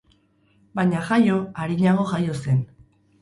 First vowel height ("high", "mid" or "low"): low